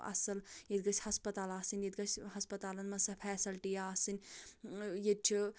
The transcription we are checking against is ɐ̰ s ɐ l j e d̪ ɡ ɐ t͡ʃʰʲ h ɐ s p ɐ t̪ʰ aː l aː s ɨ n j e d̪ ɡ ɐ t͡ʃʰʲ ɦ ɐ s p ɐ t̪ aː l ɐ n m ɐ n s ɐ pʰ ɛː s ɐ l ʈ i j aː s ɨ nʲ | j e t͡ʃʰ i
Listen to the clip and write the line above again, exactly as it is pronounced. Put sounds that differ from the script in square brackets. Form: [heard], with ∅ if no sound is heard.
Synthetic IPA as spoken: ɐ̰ s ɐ l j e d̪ ɡ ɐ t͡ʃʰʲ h ɐ s p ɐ [t̪] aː l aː s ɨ n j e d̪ ɡ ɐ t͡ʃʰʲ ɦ ɐ s p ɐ t̪ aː l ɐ n m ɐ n s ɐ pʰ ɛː s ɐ l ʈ i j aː s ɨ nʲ | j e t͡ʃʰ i